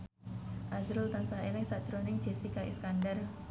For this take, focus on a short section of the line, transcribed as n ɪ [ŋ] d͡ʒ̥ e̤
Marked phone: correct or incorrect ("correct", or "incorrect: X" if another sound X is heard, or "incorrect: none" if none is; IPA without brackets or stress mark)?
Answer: correct